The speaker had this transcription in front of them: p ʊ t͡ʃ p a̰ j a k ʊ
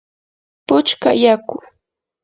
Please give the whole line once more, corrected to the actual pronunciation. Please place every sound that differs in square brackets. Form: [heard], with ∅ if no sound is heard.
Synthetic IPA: p ʊ t͡ʃ [k] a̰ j a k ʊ